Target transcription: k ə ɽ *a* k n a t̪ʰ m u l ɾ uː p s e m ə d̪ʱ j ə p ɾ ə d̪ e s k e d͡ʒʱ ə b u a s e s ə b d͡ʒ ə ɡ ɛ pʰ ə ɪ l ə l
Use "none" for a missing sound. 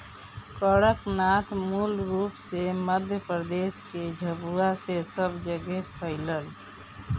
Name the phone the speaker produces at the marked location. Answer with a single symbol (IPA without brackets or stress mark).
ə